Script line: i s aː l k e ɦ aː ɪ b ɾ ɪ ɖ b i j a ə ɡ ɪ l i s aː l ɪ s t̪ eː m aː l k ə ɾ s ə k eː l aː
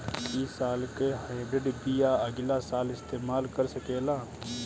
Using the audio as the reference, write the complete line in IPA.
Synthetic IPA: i s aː l k e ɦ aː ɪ b ɾ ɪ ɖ b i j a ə ɡ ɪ l a s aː l ɪ s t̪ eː m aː l k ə ɾ s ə k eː l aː

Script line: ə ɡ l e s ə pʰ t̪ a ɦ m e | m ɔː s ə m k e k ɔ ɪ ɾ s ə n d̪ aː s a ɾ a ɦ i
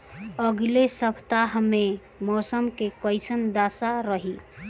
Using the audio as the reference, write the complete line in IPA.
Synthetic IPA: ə ɡ l e s ə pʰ t̪ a ɦ m e | m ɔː s ə m k e k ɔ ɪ s ə n d̪ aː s a ɾ ə ɦ i

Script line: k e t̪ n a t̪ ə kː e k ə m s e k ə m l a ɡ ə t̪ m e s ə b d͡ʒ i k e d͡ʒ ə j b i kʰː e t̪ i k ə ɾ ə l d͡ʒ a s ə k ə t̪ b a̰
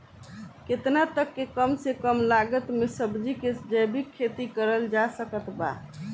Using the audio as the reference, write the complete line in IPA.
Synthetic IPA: k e t̪ n a t̪ ə kː e k ə m s e k ə m l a ɡ ə t̪ m e s ə b d͡ʒ i k e d͡ʒ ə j b i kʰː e t̪ i k ə ɾ ə l d͡ʒ a s ə k ə t̪ b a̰

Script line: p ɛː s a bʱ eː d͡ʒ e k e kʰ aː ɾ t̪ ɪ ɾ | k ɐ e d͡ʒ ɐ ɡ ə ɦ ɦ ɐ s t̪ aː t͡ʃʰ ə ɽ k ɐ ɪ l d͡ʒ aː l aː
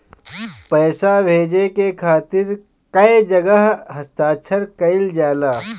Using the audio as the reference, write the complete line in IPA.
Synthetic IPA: p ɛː s a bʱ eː d͡ʒ e k e kʰ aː t̪ ɪ ɾ | k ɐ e d͡ʒ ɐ ɡ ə ɦ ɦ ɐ s t̪ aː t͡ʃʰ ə ɾ k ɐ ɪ l d͡ʒ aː l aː

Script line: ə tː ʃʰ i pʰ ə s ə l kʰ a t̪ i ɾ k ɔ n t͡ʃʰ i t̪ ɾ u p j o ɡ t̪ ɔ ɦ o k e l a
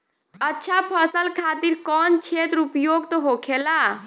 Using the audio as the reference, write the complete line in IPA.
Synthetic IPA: ə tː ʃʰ a pʰ ə s ə l kʰ a t̪ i ɾ k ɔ n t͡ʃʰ e t̪ ɾ u p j o ɡ t̪ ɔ ɦ o kʰ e l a

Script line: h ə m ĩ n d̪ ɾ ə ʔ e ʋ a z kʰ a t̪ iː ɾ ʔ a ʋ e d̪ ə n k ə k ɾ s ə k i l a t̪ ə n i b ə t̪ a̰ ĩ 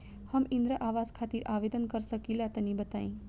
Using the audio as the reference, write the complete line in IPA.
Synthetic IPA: h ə m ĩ n d̪ ɾ ə ʔ a ʋ a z kʰ a t̪ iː ɾ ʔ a ʋ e d̪ ə n k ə ɾ s ə k i l a t̪ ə n i b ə t̪ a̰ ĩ

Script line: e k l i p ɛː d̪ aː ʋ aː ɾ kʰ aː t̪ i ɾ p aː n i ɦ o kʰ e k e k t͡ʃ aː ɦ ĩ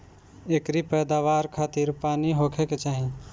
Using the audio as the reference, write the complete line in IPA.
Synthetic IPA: e k ɾ i p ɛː d̪ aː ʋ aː ɾ kʰ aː t̪ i ɾ p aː n i ɦ o kʰ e k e t͡ʃ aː ɦ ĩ

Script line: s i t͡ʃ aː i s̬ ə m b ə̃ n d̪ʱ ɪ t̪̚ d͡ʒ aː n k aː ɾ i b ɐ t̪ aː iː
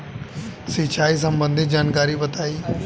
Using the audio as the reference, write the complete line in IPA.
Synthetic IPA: s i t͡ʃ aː i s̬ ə m b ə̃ n d̪ʱ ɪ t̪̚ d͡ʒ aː n k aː ɾ i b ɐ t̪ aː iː

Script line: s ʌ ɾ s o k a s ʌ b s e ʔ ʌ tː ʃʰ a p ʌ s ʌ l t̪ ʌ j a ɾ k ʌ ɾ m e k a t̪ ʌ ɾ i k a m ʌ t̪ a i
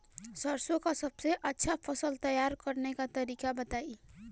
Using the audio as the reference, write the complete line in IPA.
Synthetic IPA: s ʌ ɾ s o k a s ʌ b s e ʔ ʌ tː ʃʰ a pʰ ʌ s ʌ l t̪ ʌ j a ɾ k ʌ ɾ n e k a t̪ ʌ ɾ i k a b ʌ t̪ a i

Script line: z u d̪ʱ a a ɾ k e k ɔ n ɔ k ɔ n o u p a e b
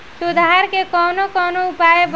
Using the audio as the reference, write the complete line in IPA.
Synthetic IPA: s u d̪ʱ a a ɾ k e k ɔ n o k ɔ n o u p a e b

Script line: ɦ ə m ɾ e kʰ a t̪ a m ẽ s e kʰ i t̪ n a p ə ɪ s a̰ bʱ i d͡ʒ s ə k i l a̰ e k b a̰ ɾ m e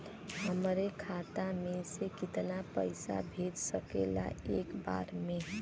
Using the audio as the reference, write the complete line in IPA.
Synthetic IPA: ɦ ə m ɾ e kʰ a t̪ a m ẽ s e k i t̪ n a p ə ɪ s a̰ bʱ e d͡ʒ s ə k e l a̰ e k b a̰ ɾ m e

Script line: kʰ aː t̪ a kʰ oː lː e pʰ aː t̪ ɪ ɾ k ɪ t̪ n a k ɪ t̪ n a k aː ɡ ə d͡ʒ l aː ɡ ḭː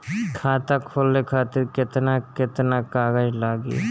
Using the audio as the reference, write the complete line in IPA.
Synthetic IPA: kʰ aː t̪ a kʰ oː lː e kʰ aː t̪ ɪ ɾ k ɪ t̪ n a k ɪ t̪ n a k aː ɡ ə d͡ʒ l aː ɡ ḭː

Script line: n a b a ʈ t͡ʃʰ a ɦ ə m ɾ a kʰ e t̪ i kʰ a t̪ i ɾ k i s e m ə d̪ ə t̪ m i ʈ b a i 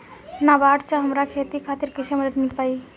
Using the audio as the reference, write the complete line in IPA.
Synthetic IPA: n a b a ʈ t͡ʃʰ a ɦ ə m ɾ a kʰ e t̪ i kʰ a t̪ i ɾ k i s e m ə d̪ ə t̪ m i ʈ p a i

